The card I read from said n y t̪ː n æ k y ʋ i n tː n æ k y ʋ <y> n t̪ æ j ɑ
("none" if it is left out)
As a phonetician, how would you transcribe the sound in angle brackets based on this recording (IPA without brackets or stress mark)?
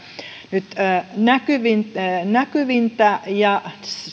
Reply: i